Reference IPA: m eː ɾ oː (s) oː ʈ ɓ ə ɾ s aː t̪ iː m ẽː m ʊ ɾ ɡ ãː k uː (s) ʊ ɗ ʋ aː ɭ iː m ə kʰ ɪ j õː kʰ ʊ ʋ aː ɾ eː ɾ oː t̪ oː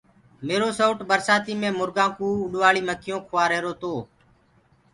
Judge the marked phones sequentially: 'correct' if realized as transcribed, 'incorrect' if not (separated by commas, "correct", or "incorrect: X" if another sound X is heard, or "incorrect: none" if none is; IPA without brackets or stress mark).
correct, incorrect: none